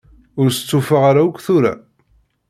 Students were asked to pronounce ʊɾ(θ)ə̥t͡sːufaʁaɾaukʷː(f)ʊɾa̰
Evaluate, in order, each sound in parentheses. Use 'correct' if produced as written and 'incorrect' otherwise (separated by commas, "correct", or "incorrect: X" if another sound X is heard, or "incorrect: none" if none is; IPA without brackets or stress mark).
incorrect: s, incorrect: θ